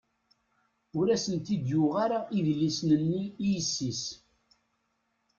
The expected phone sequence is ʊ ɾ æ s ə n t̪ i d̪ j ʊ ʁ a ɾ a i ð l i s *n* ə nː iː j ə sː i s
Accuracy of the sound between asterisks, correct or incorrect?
correct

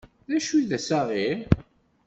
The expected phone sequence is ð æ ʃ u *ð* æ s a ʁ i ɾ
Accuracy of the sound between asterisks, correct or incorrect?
correct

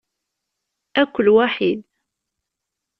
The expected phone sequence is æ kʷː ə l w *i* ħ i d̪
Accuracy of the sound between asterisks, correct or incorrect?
incorrect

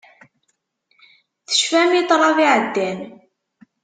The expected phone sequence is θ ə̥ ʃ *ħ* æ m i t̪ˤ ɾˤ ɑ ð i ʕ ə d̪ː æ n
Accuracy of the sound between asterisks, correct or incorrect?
incorrect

